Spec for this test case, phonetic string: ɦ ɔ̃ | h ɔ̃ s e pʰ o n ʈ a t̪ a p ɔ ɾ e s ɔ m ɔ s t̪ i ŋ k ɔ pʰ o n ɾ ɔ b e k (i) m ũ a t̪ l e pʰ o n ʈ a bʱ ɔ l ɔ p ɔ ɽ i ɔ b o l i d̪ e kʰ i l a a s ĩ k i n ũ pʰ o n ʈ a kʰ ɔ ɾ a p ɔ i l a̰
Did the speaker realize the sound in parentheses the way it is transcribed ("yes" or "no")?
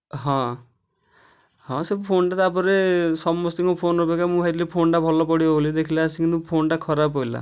no